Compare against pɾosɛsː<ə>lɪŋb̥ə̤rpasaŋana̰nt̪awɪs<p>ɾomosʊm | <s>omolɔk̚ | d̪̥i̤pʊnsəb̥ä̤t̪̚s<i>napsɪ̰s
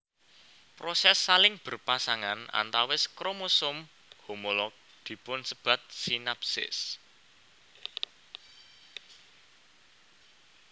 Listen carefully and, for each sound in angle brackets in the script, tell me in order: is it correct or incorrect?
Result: incorrect: a, incorrect: k, incorrect: h, correct

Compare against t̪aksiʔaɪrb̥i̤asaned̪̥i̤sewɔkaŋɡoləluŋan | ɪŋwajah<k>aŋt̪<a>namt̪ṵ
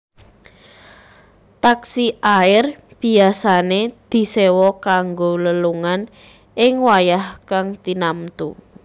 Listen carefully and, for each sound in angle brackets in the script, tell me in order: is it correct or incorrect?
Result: correct, incorrect: i

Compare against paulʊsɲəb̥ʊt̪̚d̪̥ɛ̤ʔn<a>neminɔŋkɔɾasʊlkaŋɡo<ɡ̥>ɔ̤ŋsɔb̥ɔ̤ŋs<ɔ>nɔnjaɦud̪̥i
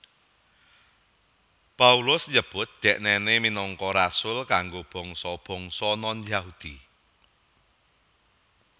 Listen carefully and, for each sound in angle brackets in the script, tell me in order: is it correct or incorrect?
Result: incorrect: ɛ, incorrect: b̥, correct

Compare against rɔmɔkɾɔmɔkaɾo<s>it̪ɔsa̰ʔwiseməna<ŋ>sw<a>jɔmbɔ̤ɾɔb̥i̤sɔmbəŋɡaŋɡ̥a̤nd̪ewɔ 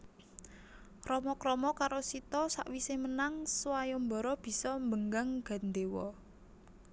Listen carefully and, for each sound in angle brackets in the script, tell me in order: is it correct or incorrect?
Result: correct, correct, correct

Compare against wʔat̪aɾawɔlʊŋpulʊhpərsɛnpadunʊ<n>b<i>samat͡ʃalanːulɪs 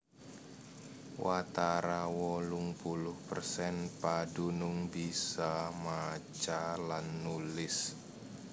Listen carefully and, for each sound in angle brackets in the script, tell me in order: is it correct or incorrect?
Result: incorrect: ŋ, correct

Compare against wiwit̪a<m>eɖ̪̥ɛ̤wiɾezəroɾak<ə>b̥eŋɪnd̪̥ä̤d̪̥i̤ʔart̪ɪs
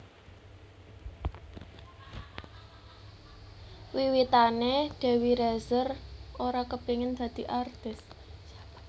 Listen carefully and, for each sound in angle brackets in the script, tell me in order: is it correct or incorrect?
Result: incorrect: n, correct

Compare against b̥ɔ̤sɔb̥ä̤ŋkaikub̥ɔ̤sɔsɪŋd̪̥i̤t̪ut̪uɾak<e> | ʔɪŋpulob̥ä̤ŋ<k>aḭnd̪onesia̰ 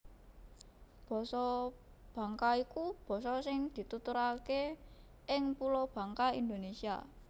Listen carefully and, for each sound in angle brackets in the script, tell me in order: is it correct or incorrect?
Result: correct, correct

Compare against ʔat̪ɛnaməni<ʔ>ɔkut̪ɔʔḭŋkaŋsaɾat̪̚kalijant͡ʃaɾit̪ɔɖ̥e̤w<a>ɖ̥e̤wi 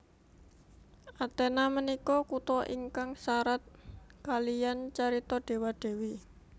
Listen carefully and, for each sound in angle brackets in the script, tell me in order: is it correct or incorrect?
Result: incorrect: k, correct

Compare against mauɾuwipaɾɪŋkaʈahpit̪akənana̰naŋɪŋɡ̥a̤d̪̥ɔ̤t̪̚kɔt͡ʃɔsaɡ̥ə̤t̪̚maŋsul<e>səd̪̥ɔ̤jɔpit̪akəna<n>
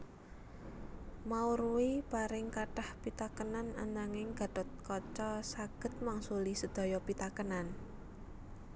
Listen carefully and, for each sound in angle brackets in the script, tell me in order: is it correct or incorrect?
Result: incorrect: i, correct

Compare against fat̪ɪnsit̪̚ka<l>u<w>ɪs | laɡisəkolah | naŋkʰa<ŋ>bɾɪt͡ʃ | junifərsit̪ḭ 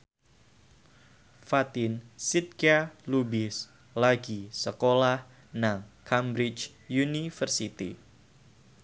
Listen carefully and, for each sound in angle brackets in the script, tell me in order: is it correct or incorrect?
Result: correct, incorrect: b, incorrect: m

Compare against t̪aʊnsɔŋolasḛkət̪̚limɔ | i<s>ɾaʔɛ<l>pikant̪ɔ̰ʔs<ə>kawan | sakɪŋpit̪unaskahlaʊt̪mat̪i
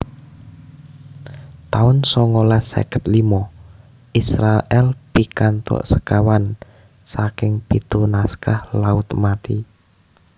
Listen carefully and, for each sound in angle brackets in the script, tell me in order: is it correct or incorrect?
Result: correct, correct, correct

